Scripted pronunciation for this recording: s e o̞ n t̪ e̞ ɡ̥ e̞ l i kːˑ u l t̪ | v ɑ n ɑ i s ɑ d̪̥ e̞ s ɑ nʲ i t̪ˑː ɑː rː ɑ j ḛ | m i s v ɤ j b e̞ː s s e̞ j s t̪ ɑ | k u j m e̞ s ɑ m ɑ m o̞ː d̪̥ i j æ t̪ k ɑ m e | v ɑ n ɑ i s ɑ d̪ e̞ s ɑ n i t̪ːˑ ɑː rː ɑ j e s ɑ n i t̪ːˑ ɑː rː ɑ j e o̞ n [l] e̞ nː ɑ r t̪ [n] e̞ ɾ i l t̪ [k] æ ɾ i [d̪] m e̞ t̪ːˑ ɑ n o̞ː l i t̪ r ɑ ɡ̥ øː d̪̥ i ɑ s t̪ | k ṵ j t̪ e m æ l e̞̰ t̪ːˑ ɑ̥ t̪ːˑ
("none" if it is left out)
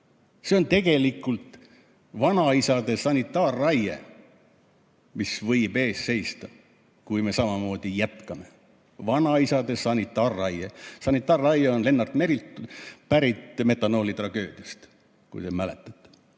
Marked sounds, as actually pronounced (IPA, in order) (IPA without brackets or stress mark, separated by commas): l, m, p, t̪